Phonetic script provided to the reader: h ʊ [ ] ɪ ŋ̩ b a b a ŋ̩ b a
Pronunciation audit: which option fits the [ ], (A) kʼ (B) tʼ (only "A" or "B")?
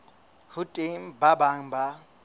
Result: B